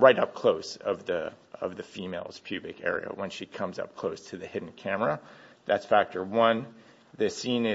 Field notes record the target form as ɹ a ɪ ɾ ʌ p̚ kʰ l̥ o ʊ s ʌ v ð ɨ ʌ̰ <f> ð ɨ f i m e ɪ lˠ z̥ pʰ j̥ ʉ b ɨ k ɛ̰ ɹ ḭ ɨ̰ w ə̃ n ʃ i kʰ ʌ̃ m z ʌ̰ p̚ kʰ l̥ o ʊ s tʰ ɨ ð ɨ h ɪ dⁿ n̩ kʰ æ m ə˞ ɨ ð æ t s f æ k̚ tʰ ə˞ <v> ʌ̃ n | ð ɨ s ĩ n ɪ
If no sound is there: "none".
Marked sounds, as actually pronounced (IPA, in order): v, w

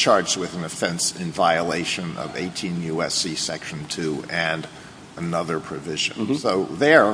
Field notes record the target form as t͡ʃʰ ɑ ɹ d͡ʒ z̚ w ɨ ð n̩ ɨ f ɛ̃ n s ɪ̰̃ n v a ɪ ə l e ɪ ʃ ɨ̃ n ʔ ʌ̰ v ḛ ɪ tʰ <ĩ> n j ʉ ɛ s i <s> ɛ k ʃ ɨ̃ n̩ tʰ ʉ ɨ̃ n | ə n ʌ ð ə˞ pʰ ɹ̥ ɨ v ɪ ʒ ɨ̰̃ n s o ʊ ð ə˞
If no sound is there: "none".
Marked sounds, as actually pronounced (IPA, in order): ĩ, s

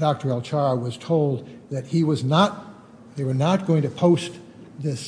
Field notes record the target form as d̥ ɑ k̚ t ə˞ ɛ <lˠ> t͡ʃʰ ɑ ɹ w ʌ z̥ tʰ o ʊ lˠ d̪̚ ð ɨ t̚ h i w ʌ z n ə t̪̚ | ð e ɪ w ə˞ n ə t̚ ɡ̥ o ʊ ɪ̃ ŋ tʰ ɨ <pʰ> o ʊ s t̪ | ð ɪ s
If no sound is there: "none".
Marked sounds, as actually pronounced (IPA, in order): lˠ, pʰ

